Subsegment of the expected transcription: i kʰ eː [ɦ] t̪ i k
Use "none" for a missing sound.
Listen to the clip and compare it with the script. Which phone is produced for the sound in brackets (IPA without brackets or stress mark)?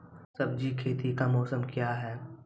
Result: none